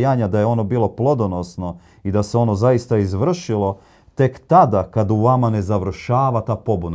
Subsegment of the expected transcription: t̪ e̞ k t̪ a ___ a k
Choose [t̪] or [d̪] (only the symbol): d̪